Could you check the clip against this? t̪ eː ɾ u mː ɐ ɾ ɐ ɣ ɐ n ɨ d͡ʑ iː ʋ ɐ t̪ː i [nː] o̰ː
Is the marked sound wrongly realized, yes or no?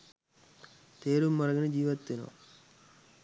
yes